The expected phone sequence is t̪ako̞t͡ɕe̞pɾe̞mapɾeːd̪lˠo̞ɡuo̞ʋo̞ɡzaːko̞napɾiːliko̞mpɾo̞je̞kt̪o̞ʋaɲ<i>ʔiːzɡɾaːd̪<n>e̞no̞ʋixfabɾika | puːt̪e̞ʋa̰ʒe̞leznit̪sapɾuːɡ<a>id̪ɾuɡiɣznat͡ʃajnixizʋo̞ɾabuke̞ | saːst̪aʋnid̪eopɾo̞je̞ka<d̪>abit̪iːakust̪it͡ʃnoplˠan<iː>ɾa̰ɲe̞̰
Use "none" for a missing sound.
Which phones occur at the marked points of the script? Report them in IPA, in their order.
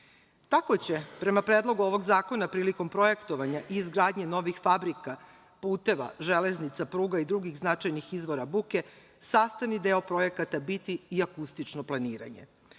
a, ɲ, a, t̪, iː

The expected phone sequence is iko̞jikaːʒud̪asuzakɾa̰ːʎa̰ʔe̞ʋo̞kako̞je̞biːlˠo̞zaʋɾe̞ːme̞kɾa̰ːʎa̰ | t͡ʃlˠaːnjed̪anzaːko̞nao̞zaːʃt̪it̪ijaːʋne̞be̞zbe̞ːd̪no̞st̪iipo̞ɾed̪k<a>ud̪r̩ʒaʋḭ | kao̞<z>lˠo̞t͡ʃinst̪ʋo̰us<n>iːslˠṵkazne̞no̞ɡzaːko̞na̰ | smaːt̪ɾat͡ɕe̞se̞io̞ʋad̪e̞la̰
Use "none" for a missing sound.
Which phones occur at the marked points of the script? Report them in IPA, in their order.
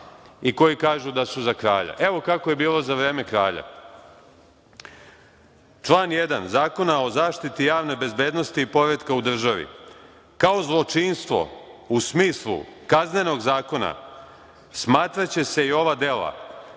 a, z, m

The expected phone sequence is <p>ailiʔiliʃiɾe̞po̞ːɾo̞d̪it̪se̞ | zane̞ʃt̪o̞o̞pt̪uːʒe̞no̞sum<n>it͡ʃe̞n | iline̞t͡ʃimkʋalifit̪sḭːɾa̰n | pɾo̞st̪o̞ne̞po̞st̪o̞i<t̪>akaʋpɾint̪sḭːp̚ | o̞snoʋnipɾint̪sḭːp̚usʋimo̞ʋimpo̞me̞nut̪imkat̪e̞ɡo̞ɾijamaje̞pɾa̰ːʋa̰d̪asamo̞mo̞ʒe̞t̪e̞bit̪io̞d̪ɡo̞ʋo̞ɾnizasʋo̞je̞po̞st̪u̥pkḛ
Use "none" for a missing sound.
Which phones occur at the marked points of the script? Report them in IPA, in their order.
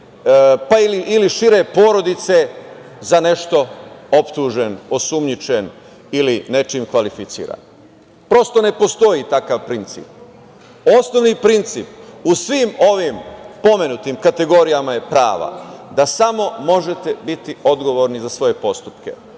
p, ɲ, t̪

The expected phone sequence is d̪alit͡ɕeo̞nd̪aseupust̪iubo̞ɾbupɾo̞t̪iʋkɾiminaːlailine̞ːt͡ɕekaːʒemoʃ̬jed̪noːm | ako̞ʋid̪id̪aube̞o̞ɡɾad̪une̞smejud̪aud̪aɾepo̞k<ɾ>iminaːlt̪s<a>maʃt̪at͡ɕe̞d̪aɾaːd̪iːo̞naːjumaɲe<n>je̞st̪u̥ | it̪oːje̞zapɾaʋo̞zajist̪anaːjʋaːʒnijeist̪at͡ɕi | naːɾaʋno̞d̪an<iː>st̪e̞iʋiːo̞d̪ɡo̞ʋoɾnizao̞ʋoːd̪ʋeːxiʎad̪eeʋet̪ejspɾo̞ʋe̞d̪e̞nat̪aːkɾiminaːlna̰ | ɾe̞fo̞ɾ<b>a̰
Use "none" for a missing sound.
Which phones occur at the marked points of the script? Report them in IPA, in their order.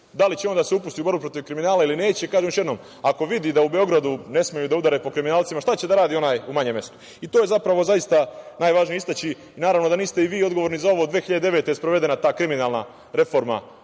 ɾ, i, m, iː, m

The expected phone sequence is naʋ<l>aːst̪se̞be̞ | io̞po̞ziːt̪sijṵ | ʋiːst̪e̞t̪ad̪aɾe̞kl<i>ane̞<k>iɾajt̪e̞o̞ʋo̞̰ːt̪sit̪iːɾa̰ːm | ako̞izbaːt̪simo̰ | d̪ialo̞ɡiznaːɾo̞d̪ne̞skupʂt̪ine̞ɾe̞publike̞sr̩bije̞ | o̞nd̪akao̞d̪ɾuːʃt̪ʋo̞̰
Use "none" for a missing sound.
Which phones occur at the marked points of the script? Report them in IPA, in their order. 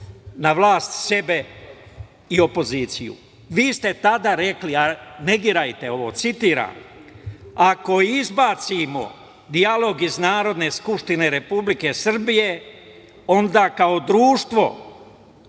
l, i, ɡ

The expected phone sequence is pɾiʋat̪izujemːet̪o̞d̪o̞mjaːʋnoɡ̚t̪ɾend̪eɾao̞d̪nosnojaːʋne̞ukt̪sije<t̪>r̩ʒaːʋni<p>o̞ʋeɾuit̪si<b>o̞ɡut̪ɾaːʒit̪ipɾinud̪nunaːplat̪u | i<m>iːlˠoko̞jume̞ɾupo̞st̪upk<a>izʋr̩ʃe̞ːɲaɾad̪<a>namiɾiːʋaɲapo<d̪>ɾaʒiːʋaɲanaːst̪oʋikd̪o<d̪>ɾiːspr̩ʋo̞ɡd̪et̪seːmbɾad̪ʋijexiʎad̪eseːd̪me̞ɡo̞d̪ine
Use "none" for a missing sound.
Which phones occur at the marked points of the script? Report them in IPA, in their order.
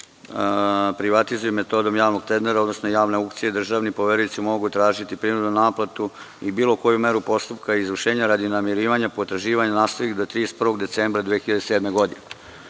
d̪, p, m, b, a, i, t̪, t̪

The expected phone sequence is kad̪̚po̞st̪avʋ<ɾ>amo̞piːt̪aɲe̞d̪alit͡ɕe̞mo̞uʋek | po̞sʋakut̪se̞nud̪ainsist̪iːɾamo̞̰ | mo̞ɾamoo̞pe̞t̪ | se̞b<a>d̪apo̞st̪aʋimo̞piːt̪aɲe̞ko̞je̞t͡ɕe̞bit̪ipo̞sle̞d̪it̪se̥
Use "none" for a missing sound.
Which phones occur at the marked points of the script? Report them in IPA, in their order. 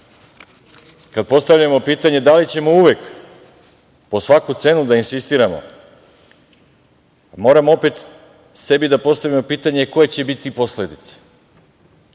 ʎ, i

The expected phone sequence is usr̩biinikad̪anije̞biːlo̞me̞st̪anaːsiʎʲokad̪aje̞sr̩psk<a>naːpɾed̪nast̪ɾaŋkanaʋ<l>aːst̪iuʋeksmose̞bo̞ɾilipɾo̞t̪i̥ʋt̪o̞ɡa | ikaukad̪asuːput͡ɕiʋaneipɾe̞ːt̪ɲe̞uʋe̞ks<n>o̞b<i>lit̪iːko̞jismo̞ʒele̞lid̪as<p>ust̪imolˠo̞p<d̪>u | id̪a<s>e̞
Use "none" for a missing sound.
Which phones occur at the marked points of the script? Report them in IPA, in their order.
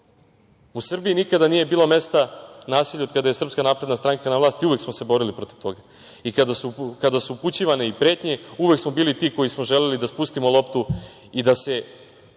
a, l, m, iː, p, t̪, s

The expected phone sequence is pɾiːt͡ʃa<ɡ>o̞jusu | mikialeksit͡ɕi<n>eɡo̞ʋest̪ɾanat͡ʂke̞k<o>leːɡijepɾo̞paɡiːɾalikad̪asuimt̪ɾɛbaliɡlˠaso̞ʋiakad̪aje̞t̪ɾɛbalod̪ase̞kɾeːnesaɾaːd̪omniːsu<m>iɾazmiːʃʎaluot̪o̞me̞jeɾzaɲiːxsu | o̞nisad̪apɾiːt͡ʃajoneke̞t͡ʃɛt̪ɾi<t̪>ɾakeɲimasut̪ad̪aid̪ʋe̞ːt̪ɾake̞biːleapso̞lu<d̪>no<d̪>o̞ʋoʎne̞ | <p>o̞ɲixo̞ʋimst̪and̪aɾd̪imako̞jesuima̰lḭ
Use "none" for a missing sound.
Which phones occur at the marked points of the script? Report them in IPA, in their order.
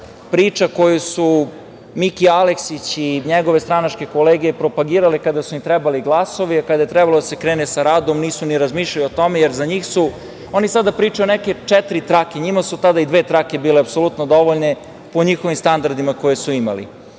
k, ɲ, o, n, t̪, t̪, d̪, p

